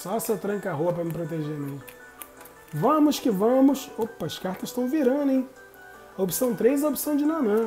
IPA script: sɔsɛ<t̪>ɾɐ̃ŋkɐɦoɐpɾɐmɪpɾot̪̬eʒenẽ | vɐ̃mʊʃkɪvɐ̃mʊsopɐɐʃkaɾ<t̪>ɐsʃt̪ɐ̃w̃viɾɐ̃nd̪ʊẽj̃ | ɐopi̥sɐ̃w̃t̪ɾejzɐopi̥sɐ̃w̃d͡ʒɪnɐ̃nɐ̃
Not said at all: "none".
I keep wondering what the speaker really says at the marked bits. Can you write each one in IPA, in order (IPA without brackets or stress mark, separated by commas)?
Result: t̪, t̪